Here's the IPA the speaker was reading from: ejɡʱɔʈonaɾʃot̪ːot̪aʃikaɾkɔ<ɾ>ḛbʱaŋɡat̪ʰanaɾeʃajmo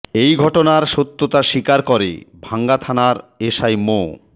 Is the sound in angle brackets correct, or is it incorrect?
correct